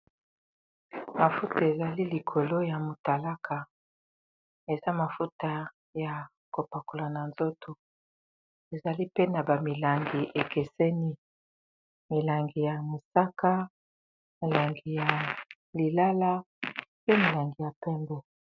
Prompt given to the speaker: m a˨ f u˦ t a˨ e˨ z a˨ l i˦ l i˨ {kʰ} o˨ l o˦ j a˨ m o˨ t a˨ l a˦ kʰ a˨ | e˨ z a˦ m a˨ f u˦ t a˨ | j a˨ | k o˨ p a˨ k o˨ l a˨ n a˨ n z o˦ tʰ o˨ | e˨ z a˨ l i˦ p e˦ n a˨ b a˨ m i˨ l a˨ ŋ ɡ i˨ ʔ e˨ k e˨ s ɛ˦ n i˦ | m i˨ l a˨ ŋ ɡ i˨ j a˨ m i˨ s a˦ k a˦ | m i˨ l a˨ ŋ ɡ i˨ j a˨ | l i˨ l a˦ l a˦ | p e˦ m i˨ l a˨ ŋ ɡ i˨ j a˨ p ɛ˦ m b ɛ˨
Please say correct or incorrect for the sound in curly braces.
correct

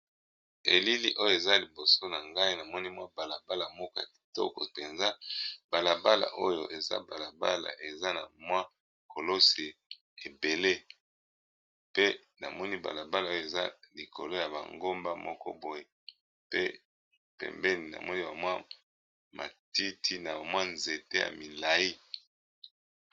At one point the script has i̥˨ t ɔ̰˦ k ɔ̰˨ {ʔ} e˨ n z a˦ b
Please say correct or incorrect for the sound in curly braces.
incorrect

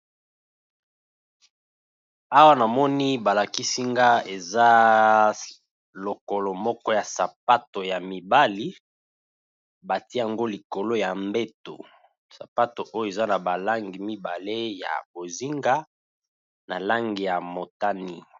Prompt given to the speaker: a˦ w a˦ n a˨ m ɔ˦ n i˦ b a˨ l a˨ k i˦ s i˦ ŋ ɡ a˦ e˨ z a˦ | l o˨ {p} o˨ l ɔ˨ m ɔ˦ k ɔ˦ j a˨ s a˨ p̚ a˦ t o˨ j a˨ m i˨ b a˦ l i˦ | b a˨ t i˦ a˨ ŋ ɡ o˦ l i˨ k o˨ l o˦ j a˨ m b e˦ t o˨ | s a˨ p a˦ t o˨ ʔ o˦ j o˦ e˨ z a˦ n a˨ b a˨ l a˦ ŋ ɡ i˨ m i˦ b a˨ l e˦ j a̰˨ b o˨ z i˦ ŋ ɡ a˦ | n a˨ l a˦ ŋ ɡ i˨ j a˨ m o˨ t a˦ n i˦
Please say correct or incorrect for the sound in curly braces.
incorrect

